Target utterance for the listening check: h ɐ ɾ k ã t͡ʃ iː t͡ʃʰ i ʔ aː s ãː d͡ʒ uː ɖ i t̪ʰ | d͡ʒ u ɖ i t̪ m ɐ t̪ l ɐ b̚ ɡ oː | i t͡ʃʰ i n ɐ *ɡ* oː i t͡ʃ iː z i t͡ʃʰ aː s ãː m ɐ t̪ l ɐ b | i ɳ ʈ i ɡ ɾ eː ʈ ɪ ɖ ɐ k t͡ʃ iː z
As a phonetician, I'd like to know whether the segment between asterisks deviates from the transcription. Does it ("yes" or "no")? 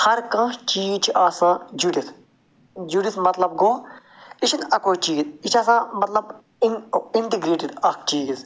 yes